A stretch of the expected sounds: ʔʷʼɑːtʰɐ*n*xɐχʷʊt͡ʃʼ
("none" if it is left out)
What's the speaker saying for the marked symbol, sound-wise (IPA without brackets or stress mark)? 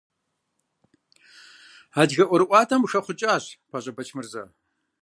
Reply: m